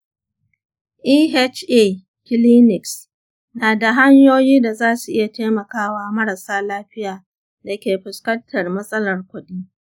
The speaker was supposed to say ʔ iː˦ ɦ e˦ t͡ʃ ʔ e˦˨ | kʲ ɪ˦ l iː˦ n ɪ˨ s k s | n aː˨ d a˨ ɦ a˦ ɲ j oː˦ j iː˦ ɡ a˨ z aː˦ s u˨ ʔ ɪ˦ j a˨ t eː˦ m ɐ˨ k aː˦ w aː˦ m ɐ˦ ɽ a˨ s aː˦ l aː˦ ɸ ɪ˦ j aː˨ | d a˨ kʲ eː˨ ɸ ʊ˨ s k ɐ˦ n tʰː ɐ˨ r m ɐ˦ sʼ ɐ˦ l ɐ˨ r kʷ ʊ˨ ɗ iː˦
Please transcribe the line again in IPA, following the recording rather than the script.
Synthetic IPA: ʔ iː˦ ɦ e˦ t͡ʃ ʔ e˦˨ | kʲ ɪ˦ l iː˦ n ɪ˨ k s | n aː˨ d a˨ ɦ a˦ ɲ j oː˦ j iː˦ d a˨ z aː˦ s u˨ ʔ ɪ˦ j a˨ t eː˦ m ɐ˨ k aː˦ w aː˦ m ɐ˦ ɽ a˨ s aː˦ l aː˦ ɸ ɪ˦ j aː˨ | d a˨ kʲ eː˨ ɸ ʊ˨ s k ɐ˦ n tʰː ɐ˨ r m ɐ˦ sʼ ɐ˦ l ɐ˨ r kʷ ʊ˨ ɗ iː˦